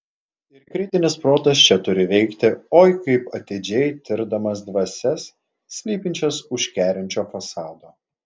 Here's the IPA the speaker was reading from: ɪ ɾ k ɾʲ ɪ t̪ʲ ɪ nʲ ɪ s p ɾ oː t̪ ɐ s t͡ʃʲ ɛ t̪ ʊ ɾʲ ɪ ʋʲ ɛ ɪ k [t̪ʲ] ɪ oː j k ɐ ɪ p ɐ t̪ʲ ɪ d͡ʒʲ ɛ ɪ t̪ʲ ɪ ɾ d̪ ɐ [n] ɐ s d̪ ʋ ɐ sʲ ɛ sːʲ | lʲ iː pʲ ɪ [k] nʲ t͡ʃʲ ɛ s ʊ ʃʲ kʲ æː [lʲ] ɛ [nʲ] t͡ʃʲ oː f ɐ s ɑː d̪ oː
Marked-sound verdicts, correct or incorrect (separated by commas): correct, incorrect, incorrect, incorrect, correct